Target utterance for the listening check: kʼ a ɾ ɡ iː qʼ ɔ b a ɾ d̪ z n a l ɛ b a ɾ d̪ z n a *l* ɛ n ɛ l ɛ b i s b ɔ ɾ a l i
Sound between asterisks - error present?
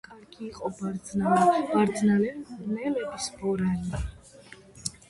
no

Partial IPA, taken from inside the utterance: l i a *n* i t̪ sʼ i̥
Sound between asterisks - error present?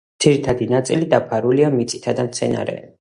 yes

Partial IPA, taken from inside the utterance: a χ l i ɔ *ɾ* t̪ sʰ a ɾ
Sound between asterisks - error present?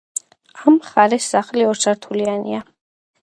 no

